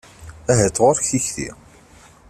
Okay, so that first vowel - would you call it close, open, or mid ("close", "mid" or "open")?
open